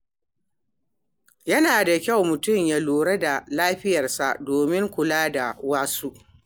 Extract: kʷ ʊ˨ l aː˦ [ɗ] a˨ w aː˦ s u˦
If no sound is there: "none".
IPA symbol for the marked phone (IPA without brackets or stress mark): d